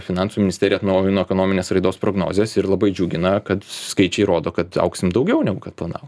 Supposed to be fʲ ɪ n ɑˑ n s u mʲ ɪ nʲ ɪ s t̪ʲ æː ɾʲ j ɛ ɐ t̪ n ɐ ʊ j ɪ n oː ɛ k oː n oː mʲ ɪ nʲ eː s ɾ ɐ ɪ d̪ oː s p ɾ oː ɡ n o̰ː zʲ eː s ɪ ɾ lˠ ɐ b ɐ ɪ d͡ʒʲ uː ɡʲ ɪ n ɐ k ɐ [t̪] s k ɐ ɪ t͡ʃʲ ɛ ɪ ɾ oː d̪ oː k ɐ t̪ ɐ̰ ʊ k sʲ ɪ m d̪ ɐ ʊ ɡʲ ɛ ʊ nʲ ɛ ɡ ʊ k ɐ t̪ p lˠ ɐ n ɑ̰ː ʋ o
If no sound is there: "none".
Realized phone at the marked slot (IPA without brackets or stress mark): t̪